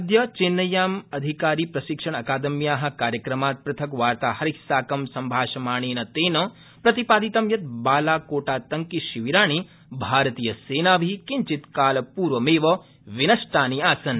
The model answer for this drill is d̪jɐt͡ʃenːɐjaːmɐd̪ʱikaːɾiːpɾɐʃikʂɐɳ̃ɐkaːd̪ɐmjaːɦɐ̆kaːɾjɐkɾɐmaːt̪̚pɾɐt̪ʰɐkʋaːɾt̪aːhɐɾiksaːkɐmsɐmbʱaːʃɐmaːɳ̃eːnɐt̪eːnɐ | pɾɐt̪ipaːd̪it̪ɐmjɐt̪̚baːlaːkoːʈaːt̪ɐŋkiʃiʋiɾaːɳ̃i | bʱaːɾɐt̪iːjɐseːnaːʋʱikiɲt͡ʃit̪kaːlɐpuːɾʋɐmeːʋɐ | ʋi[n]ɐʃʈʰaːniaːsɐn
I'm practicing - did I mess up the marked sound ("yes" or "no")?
no